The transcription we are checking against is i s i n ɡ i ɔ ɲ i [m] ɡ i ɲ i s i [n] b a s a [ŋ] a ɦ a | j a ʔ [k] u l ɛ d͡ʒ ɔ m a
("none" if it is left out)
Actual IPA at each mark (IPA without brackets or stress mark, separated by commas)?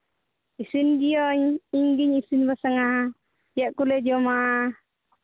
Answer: ŋ, n, ŋ, k